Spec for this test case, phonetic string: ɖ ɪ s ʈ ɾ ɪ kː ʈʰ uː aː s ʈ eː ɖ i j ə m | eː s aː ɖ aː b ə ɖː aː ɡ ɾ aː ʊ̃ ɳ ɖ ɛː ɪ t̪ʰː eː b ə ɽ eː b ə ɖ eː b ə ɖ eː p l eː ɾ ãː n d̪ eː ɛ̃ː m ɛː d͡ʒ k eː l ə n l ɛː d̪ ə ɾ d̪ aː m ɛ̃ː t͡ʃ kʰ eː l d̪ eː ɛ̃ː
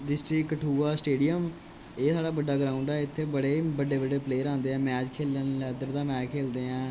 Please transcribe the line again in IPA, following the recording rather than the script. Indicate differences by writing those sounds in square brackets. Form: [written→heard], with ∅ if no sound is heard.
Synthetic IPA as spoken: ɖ ɪ s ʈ ɾ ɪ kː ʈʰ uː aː s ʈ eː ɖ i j ə m | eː s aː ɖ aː b ə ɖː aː ɡ ɾ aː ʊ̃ ɳ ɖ ɛː ɪ t̪ʰː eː b ə ɽ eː b ə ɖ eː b ə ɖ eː p l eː ɾ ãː n d̪ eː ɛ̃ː m ɛː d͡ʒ [k→kʰ] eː l ə n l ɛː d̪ ə ɾ d̪ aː m [ɛ̃ː→ɛː] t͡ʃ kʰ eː l d̪ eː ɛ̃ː